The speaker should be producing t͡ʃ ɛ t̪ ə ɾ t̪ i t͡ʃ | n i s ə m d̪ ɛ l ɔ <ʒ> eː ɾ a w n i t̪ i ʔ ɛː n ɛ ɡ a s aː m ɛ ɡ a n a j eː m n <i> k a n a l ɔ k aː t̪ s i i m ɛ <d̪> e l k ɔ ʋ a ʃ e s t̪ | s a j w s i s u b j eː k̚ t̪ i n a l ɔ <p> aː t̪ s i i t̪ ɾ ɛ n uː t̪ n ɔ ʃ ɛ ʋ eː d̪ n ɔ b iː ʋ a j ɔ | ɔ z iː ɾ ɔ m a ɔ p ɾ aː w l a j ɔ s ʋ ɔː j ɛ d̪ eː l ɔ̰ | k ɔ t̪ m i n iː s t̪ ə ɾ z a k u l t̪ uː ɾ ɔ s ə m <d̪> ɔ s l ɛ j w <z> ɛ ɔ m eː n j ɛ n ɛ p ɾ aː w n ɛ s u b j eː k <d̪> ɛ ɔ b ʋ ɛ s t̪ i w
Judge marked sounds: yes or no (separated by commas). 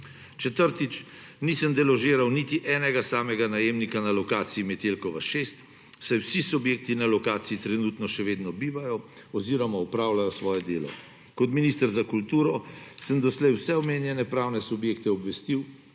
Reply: yes, yes, no, no, yes, no, no